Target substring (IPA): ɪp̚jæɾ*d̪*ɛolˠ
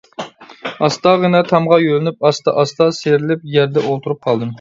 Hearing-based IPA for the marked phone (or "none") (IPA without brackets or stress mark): d̪